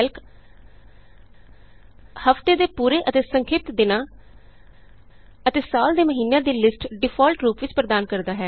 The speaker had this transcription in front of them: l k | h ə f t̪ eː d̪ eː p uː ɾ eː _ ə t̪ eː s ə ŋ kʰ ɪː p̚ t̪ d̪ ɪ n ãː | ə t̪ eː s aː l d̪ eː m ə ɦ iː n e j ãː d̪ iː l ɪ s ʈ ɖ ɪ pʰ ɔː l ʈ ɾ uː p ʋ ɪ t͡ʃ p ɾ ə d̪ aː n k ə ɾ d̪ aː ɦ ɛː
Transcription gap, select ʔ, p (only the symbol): ʔ